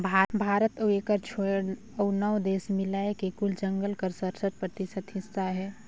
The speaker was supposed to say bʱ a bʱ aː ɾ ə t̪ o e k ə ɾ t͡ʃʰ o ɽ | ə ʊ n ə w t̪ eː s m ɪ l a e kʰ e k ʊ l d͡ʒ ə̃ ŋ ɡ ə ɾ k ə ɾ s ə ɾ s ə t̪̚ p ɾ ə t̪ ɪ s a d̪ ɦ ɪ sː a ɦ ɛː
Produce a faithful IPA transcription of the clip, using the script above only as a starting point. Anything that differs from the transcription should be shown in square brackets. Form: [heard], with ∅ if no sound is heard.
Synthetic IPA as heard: bʱ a bʱ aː ɾ ə t̪ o e k ə ɾ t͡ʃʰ o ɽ | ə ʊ n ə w [d̪] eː s m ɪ l a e [k] e k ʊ l d͡ʒ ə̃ ŋ ɡ ə [l] k ə ɾ s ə ɾ s ə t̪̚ p ɾ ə t̪ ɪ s [ə] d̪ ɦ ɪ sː a ɦ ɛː